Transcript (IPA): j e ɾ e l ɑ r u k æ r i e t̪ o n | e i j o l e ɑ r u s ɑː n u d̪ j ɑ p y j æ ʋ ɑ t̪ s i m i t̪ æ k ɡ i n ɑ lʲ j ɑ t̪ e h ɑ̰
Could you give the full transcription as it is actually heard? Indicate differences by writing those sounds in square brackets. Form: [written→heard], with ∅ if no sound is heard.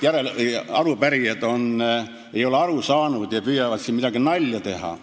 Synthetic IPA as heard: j [e→æ] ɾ e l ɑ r u [k→p] æ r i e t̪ o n | e i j o l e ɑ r u s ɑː n u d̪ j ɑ p y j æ ʋ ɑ t̪ s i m i t̪ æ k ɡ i n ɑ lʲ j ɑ t̪ e h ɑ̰